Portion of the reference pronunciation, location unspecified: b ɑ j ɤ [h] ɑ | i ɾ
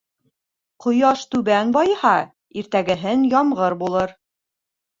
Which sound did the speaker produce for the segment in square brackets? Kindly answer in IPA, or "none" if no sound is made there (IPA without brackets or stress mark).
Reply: h